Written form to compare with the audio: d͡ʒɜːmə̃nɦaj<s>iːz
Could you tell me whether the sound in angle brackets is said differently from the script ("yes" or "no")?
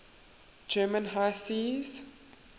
no